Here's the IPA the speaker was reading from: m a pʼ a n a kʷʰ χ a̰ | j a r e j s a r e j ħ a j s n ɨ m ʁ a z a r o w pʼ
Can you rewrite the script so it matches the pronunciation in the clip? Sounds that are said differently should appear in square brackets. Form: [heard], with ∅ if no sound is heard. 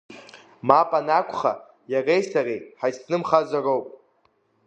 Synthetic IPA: m a pʼ a n a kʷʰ χ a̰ | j a r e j s a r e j ħ a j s n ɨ m [χ] a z a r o w pʼ